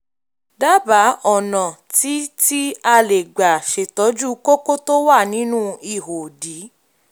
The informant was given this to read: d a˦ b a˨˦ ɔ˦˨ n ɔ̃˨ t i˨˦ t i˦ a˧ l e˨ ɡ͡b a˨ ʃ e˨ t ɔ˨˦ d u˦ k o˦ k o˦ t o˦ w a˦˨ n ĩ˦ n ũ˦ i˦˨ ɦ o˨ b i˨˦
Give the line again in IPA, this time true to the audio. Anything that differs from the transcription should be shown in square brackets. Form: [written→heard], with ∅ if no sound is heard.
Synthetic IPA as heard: d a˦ b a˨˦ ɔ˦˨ n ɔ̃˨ t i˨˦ t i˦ a˧ l e˨ ɡ͡b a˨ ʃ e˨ t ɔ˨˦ [d→d͡ʒ] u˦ k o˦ k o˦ t o˦ w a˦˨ n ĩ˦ n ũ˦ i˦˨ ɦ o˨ [b→d] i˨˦